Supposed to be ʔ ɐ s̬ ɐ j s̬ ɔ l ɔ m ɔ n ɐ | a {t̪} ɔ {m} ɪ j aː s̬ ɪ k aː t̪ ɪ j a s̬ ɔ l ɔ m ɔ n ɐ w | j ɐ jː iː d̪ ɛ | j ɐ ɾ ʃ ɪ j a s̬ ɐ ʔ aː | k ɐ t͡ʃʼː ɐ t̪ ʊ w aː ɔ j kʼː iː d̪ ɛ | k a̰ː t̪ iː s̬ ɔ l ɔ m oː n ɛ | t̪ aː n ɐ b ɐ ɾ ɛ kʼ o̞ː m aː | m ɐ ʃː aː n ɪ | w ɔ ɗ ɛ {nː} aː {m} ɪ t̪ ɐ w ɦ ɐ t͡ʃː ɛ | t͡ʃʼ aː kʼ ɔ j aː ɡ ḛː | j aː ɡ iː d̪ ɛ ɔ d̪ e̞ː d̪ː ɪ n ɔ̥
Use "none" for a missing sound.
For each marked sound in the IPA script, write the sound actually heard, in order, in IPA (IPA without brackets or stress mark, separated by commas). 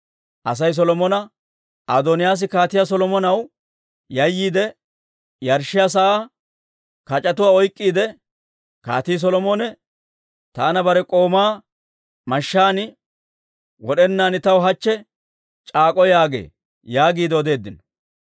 d̪, n, nː, n